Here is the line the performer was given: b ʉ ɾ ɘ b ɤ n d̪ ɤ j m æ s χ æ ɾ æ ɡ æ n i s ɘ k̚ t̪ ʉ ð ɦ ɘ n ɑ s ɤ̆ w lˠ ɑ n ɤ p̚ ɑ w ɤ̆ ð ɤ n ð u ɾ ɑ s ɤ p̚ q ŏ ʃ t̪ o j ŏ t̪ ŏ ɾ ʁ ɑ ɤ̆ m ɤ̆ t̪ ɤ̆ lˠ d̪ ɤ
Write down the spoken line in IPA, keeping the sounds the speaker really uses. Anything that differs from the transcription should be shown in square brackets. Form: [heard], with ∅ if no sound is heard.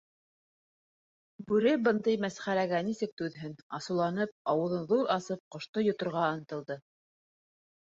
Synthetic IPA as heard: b ʉ ɾ ɘ b ɤ n d̪ ɤ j m æ s χ æ ɾ æ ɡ æ n i s ɘ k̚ t̪ ʉ ð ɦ ɘ n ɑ s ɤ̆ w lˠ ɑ n ɤ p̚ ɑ w ɤ̆ ð ɤ n ð u ɾ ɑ s ɤ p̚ q ŏ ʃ t̪ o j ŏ t̪ ŏ ɾ ʁ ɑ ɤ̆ [n] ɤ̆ t̪ ɤ̆ lˠ d̪ ɤ